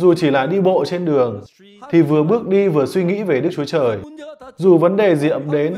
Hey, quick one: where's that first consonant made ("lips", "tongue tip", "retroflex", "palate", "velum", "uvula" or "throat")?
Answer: tongue tip